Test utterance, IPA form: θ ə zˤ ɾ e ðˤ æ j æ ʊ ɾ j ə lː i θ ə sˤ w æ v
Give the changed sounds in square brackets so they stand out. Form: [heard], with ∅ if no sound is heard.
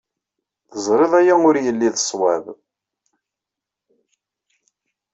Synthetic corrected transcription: θ ə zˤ ɾ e ðˤ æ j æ ʊ ɾ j ə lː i [ð] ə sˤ w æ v